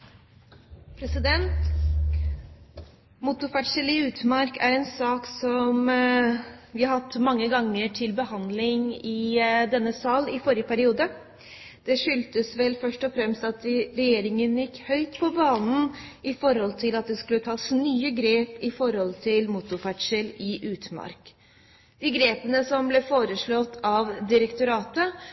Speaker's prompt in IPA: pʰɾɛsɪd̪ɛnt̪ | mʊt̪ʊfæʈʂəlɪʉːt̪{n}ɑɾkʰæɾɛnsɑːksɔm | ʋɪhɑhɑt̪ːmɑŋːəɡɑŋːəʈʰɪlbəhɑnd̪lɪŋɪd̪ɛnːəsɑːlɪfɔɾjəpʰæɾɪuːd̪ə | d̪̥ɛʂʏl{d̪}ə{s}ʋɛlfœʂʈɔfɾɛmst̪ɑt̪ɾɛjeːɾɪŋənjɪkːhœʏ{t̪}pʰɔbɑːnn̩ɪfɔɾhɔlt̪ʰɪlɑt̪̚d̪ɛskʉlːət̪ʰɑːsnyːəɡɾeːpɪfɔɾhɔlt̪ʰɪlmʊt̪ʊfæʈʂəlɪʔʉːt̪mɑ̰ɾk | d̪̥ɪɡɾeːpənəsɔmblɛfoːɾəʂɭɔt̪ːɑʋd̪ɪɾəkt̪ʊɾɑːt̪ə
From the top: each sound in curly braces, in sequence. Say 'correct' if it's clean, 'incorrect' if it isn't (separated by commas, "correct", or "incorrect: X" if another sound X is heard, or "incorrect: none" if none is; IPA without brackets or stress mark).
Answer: incorrect: m, incorrect: t̪, correct, correct